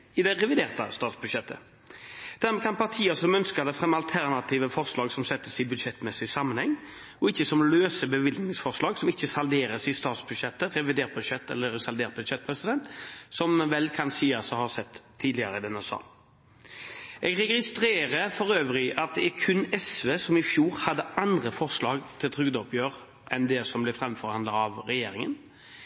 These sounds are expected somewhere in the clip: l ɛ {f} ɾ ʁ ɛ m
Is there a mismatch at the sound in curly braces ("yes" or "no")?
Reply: no